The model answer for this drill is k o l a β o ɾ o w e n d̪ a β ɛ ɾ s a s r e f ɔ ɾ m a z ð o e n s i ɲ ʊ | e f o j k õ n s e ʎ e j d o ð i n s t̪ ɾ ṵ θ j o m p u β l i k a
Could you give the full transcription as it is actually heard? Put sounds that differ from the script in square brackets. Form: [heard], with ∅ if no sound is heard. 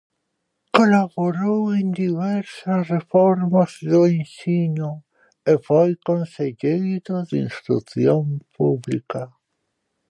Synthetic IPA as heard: k o l a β o ɾ o w e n d̪ [i] β ɛ ɾ s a s r e f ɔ ɾ m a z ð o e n s i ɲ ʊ | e f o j k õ n s e ʎ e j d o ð i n s t̪ ɾ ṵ θ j o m p u β l i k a